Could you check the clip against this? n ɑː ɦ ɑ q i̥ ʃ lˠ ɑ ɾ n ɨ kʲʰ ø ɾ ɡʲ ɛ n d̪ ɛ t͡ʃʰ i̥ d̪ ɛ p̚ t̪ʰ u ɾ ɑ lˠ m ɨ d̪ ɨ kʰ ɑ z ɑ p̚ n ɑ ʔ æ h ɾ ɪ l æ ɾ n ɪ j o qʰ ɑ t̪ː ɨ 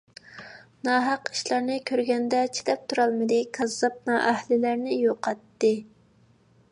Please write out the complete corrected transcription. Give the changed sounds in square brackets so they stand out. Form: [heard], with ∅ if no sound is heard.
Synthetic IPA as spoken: n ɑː ɦ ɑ q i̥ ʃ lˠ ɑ ɾ n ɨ kʲʰ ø ɾ ɡʲ ɛ n d̪ ɛ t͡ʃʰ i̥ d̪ ɛ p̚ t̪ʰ u ɾ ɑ lˠ m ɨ d̪ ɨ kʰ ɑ z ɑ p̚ n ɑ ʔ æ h [l] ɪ l æ ɾ n ɪ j o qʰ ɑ t̪ː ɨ